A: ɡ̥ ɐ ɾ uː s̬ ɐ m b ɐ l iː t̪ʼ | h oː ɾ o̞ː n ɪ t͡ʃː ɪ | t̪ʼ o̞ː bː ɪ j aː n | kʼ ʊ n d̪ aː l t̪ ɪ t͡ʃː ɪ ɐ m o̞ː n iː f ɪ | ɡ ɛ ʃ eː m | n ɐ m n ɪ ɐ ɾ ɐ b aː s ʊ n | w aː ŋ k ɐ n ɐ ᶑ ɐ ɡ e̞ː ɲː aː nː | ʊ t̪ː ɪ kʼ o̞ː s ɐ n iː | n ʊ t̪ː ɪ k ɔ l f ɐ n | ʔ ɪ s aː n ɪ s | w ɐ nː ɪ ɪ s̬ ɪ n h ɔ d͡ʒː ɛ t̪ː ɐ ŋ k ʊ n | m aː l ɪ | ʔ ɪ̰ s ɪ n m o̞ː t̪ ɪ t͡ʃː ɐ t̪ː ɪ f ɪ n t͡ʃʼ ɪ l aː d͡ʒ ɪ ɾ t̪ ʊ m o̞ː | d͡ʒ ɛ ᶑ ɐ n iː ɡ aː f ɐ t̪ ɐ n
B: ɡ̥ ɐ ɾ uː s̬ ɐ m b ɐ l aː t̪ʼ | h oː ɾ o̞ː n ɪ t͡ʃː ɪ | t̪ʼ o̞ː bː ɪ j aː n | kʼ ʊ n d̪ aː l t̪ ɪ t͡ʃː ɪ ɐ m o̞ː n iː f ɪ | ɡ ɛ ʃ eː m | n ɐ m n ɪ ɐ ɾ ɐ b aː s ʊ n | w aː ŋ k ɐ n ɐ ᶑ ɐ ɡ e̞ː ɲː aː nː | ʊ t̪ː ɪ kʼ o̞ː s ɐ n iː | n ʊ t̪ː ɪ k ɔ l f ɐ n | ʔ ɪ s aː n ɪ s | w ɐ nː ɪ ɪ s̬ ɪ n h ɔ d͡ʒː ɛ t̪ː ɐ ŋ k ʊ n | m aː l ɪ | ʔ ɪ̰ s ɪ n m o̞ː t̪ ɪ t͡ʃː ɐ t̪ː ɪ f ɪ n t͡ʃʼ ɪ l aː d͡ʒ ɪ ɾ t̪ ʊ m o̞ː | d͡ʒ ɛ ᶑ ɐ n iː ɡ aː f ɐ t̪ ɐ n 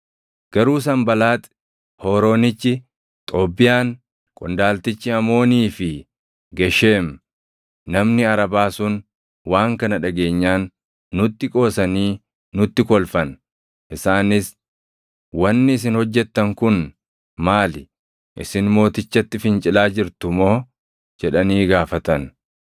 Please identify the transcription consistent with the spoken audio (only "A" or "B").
B